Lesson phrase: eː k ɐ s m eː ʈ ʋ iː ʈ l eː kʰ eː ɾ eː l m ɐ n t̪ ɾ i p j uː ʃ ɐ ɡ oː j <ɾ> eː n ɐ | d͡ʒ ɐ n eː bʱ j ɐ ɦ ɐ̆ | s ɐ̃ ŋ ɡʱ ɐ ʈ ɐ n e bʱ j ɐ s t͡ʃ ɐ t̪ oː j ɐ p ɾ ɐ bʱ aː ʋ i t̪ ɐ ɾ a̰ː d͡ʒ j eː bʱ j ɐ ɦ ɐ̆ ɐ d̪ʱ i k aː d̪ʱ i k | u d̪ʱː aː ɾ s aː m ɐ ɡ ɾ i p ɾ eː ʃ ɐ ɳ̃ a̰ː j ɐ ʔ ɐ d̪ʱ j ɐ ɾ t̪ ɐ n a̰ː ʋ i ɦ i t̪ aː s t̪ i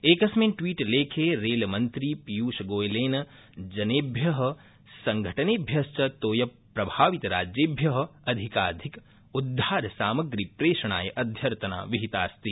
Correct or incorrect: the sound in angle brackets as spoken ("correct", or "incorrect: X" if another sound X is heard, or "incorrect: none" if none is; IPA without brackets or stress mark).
incorrect: l